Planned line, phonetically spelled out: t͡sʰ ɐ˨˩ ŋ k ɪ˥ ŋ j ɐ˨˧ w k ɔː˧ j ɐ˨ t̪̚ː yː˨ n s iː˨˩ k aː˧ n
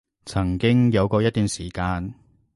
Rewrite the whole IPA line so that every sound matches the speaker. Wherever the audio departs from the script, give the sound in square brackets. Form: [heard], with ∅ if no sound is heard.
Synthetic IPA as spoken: t͡sʰ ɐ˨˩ ŋ k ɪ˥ ŋ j ɐ˨˧ w k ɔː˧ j [ɐ˥] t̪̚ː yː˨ n s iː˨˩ k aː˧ n

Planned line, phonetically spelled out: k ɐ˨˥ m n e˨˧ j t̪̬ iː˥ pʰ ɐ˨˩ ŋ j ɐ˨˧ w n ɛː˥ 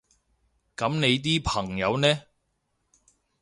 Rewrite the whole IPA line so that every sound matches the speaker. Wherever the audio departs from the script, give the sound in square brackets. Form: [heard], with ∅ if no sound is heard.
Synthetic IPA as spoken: k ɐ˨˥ m n e˨˧ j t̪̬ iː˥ pʰ ɐ˨˩ ŋ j ɐ˨˧ w n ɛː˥

